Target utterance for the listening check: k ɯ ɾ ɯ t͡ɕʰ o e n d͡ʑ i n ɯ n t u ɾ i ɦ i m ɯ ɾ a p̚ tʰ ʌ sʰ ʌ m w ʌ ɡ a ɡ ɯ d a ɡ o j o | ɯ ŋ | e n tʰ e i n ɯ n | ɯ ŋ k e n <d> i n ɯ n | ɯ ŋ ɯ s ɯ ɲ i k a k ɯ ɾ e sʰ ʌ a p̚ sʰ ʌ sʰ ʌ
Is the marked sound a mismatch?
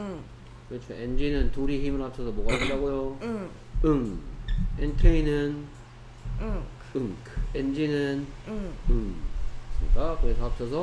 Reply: yes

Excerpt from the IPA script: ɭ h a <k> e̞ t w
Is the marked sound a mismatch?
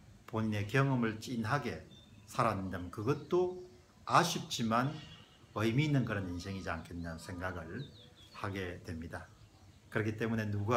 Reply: yes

